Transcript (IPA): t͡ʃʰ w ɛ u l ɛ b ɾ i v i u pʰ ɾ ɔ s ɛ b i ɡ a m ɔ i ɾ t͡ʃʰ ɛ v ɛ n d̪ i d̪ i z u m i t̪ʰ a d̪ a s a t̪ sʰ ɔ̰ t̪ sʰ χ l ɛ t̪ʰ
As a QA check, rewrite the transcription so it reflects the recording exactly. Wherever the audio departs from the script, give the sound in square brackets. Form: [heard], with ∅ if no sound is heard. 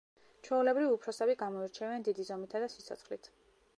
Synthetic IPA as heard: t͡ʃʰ w ɛ u l ɛ b ɾ i v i u pʰ ɾ ɔ s ɛ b i ɡ a m ɔ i ɾ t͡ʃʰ ɛ v ɛ n d̪ i d̪ i z [ɔ] m i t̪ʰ a d̪ a s [i] t̪ sʰ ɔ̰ t̪ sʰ χ l [i] t̪ʰ